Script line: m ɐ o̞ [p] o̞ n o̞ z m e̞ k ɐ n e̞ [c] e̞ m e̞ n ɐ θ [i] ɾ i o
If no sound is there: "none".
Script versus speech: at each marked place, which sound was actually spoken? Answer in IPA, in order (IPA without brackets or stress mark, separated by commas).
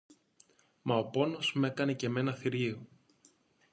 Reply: p, c, i